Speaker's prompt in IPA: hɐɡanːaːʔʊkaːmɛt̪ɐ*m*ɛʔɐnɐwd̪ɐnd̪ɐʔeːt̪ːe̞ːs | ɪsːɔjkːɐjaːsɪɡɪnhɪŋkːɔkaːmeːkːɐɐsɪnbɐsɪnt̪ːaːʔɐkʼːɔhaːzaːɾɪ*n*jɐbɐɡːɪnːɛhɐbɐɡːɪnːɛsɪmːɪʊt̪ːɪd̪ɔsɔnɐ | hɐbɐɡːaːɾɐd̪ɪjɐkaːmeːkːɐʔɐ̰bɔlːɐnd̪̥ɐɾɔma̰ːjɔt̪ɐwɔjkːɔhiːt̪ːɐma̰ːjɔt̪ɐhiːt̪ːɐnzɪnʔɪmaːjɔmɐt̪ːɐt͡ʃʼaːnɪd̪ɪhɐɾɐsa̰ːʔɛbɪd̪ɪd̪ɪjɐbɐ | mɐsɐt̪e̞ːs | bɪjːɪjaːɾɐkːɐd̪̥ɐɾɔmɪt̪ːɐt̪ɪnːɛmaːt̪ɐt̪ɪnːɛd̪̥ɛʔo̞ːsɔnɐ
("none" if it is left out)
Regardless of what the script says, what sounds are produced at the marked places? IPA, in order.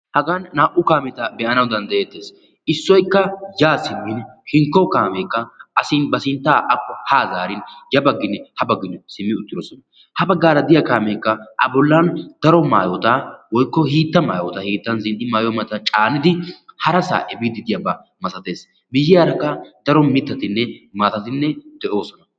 b, n

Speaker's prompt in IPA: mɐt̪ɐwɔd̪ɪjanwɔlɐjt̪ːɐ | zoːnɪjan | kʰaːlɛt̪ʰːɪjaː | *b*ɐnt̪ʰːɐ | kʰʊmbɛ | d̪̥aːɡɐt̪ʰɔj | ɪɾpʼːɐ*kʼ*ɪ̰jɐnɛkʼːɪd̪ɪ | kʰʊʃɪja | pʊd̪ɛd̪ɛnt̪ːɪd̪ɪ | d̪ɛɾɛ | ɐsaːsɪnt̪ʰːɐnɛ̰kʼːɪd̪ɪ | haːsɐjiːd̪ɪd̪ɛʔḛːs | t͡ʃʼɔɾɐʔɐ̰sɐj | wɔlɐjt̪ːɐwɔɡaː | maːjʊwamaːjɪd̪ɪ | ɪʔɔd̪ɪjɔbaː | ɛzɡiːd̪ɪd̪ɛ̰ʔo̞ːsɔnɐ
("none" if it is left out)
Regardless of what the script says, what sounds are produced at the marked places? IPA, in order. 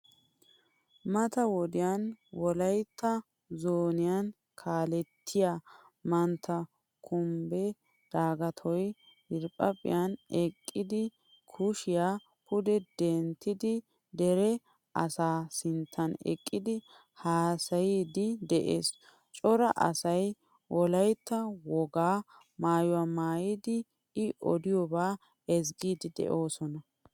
m, pʼ

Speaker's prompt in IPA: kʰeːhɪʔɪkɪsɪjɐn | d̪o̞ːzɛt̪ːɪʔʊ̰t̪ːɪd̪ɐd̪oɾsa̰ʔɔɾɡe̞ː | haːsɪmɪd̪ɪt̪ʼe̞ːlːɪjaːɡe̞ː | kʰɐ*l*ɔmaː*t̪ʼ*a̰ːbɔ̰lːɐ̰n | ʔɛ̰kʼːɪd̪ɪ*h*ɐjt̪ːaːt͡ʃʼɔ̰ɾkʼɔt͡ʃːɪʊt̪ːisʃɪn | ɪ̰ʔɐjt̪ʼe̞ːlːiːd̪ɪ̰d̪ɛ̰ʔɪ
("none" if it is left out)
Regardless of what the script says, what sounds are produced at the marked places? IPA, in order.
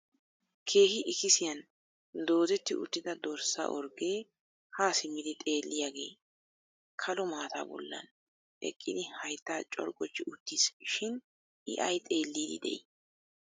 l, t̪, h

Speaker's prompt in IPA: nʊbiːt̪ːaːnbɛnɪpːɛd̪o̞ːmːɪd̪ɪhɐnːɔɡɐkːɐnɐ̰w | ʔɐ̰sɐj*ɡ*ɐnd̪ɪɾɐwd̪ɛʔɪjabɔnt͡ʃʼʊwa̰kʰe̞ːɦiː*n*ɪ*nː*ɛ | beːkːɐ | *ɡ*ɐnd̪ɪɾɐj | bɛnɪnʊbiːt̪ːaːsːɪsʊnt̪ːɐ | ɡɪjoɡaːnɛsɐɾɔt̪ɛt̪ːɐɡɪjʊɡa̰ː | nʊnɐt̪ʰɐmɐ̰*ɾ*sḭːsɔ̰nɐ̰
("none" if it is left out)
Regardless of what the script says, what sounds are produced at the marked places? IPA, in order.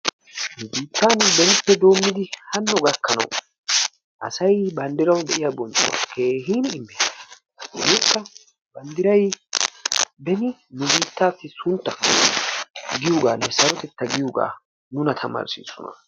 b, n, mː, b, ɾ

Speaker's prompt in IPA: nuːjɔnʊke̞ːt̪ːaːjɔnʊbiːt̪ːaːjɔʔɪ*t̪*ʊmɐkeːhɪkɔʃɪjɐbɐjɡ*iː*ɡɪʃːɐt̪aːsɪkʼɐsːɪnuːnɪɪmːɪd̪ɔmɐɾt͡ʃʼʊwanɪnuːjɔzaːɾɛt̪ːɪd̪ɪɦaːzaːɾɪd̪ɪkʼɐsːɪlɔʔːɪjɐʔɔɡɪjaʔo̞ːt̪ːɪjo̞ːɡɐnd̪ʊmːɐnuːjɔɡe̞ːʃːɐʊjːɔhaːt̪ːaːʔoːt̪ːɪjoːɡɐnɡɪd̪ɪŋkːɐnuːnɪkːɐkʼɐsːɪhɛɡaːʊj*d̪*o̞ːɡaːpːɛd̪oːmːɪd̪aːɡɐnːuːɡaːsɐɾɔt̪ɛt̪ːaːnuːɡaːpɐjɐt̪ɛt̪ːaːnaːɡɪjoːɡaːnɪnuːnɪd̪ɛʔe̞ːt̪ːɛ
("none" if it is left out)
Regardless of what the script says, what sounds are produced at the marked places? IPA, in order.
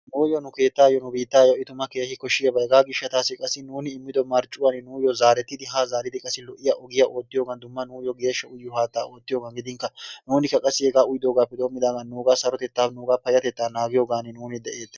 t̪, aː, d̪

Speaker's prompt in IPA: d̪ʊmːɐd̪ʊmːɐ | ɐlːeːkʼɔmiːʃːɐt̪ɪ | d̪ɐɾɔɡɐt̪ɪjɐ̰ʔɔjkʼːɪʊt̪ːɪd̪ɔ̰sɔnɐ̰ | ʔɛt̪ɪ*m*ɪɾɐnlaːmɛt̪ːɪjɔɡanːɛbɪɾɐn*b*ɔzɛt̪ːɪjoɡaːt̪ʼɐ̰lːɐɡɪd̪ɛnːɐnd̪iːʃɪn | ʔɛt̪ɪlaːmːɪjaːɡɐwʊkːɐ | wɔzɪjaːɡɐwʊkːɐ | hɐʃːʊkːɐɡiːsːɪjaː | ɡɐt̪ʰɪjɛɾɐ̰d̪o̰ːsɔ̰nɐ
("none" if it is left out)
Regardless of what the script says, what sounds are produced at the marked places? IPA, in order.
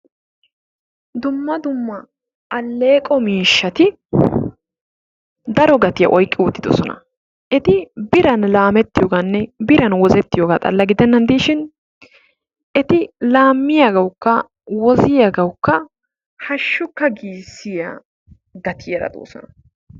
b, w

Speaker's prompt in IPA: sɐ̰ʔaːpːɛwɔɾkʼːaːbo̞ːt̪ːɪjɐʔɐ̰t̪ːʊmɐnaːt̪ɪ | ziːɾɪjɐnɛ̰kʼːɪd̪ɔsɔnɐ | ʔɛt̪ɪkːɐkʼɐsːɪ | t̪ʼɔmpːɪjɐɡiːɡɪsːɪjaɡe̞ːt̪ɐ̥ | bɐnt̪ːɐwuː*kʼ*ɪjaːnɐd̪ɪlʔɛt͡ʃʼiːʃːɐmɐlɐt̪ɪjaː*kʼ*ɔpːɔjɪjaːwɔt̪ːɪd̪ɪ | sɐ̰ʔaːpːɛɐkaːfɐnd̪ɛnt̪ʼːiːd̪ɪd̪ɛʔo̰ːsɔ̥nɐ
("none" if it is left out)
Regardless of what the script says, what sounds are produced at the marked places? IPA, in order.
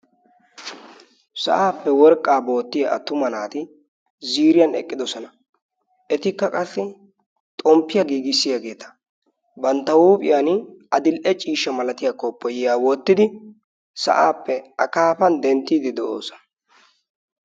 pʼ, k

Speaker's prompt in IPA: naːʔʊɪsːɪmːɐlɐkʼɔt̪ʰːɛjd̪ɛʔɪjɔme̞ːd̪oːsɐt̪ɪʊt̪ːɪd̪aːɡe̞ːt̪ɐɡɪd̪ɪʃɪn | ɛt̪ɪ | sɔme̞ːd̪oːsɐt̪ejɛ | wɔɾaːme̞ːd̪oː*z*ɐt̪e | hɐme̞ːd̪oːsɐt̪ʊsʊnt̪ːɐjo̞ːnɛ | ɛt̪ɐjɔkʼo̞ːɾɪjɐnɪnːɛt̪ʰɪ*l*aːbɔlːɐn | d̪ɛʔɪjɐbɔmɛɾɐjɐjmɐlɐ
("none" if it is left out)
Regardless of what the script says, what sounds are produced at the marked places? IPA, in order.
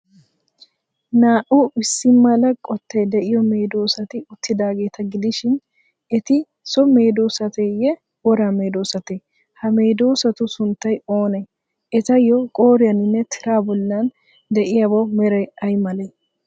s, ɾ

